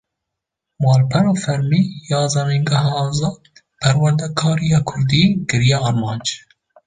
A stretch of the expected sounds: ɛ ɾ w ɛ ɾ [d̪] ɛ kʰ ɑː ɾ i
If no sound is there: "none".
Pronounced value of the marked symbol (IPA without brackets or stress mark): d̪